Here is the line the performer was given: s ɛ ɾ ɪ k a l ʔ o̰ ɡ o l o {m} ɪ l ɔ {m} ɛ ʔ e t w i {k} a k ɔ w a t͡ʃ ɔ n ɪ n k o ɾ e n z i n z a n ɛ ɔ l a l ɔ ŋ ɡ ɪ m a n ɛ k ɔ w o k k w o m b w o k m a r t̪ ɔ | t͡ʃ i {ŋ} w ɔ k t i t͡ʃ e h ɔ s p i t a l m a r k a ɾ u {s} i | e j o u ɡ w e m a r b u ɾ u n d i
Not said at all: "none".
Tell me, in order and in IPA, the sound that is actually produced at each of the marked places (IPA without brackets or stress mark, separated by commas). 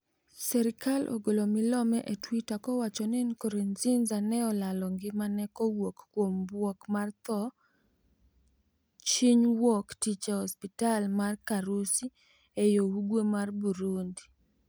m, m, t, ɲ, s